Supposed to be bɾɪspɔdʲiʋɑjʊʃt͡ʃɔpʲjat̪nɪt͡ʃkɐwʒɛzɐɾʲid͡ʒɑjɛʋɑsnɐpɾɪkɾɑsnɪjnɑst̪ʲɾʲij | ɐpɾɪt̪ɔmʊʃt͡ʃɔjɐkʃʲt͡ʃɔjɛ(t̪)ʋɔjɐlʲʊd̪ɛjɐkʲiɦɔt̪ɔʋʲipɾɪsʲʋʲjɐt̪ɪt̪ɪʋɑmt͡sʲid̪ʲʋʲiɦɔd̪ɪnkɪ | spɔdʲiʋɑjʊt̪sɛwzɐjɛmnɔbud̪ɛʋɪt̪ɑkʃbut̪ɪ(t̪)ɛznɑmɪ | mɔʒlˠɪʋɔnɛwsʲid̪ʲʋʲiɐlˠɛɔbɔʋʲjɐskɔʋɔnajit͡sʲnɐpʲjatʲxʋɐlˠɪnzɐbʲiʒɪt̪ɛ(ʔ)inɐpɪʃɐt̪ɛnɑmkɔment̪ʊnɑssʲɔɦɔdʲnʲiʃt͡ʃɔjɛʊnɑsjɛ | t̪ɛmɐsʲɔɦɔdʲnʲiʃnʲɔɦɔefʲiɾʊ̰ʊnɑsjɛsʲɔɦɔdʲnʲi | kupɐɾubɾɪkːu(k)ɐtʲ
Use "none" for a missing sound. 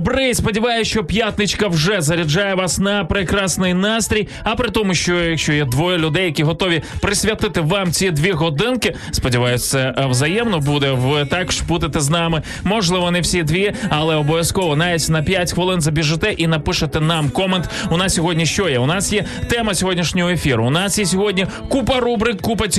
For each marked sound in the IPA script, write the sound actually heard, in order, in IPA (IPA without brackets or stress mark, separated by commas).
d̪, t̪, ʔ, p